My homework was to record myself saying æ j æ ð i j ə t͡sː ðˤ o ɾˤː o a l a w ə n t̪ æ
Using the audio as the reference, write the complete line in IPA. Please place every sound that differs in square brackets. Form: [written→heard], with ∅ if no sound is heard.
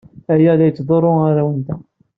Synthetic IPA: æ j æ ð [i→æ] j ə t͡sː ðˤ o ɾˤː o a [l→ɾ] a w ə n t̪ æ